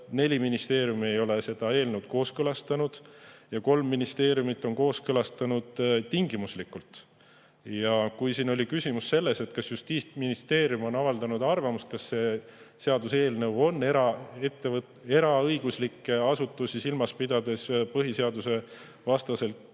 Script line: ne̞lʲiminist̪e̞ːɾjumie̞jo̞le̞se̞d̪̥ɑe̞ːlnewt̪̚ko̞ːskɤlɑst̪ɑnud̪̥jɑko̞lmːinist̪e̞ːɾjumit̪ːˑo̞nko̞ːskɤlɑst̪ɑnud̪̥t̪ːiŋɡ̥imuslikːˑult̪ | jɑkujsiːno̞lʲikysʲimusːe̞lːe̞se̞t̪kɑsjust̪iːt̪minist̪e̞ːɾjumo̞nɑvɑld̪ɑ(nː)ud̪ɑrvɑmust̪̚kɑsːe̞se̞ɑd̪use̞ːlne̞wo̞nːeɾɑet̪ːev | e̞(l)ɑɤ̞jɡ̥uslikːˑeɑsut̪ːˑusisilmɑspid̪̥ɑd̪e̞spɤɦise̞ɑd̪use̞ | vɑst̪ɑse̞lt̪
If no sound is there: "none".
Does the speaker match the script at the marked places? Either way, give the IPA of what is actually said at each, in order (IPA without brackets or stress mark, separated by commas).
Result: n, ɾ